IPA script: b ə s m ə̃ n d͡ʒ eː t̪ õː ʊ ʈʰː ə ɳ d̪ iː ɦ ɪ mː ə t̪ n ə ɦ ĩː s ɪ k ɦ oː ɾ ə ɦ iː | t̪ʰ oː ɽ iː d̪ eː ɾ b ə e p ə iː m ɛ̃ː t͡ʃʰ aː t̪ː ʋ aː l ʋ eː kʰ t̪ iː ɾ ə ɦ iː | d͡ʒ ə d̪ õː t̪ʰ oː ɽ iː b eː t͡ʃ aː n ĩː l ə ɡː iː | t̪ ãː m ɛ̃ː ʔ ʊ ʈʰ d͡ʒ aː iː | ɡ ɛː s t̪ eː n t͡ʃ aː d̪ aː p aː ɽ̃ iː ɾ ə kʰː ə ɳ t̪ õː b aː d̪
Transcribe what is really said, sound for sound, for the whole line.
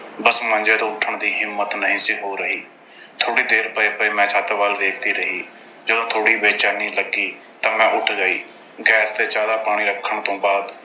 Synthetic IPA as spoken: b ə s m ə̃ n d͡ʒ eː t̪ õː ʊ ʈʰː ə ɳ d̪ iː ɦ ɪ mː ə t̪ n ə ɦ ĩː s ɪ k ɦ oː ɾ ə ɦ iː | t̪ʰ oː ɽ iː d̪ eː ɾ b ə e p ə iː m ɛ̃ː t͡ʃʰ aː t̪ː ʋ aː l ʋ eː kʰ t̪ iː ɾ ə ɦ iː | d͡ʒ ə d̪ õː t̪ʰ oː ɽ iː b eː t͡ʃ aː n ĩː l ə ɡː iː | t̪ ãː m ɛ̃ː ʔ ʊ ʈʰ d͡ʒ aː iː | ɡ ɛː s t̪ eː t͡ʃ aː d̪ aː p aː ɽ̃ iː ɾ ə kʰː ə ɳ t̪ õː b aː d̪

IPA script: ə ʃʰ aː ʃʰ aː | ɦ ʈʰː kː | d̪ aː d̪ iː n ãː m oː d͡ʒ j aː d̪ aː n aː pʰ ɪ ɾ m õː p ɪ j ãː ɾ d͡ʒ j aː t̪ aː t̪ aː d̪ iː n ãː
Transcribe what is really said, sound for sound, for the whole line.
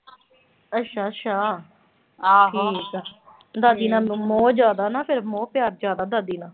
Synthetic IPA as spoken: ə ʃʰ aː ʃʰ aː | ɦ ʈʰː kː | d̪ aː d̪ iː n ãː m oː d͡ʒ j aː d̪ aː n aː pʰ ɪ ɾ m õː p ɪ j aː ɾ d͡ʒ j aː d̪ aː d̪ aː d̪ iː n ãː

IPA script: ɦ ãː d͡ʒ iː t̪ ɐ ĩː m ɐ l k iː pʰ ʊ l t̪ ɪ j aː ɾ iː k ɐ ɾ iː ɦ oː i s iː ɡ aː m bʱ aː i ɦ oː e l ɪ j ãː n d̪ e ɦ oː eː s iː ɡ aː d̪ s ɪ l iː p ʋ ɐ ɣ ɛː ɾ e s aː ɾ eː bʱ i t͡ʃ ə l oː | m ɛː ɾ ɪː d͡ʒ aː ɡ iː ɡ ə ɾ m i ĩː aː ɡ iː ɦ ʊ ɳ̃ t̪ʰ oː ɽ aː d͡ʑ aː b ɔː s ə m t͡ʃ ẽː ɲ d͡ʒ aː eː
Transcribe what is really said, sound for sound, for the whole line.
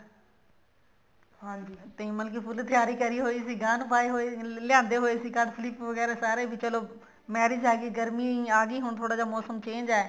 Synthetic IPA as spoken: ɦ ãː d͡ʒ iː t̪ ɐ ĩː m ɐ l k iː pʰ ʊ l t̪ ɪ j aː ɾ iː k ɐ ɾ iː ɦ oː i s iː ɡ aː n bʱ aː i ɦ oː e l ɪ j ãː n d̪ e ɦ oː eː s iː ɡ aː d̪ s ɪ l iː p ʋ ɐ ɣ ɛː ɾ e s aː ɾ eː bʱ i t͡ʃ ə l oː | m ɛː ɾ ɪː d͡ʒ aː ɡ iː ɡ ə ɾ m i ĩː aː ɡ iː ɦ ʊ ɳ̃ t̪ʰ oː ɽ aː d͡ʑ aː m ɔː s ə m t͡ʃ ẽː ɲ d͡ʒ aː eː

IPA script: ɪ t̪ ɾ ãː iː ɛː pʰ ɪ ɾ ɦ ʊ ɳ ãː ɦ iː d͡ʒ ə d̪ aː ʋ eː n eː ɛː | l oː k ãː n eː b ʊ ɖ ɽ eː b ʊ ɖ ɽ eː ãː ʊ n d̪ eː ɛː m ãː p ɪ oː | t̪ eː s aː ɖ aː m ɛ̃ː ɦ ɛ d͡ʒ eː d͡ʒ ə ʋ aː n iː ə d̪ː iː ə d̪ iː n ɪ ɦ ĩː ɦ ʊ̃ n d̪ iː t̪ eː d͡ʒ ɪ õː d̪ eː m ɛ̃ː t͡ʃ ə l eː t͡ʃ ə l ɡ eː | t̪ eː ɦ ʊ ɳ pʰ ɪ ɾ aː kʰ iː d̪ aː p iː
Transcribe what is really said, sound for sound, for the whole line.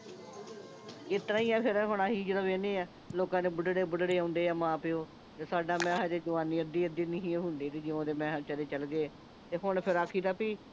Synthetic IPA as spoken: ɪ t̪ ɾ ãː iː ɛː pʰ ɪ ɾ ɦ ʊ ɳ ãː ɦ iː d͡ʒ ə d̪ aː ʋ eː n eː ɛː | l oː k ãː n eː b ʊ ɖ ɽ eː b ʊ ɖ ɽ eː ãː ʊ n d̪ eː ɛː m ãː p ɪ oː | t̪ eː s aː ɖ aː m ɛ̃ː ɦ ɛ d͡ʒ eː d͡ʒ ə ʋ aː n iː ə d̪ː iː ə d̪ iː n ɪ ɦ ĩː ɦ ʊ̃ n d̪ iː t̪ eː d͡ʒ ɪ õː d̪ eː m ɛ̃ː t͡ʃ ə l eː t͡ʃ ə l ɡ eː | t̪ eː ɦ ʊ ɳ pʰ ɪ ɾ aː kʰ iː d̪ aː p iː

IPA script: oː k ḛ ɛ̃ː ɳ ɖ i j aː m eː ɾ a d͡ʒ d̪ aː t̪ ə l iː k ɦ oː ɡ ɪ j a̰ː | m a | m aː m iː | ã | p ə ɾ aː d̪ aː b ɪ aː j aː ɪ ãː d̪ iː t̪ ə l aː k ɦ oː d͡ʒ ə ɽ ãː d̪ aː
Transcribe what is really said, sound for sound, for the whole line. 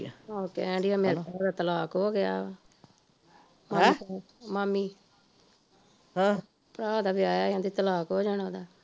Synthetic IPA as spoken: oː k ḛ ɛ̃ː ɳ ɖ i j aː m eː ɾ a d̪ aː t̪ ə l aː k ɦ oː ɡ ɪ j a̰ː | m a | m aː m iː | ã | p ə ɾ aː d̪ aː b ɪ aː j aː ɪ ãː d̪ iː t̪ ə l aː k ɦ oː d͡ʒ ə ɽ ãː d̪ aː

